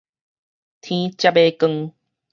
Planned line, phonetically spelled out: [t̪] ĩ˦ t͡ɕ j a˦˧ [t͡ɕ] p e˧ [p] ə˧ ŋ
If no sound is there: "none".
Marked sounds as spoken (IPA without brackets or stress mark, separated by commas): t̪ʰ, none, k